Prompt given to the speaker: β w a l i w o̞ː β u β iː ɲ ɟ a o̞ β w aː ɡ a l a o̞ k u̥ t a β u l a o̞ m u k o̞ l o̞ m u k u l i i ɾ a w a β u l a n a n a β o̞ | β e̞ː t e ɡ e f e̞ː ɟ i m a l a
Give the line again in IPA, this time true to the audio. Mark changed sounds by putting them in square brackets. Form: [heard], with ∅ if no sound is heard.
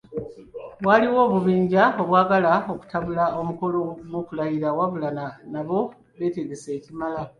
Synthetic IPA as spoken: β w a l i w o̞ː β u β iː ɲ ɟ a o̞ β w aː ɡ a l a o̞ k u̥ t a β u l a o̞ m u k o̞ l o̞ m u k u l [a] i ɾ a w a β u l a n a n a β o̞ | β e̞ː t e ɡ e [s] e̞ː [c] i m a l a